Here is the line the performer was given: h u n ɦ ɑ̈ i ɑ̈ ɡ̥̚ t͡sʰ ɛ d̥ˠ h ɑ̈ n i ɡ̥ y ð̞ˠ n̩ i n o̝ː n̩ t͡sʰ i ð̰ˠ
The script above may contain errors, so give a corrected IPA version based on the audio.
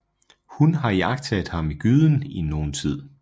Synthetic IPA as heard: h u n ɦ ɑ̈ i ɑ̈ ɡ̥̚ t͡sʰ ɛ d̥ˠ h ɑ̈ m i ɡ̥ y ð̞ˠ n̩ i n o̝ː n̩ t͡sʰ i ð̰ˠ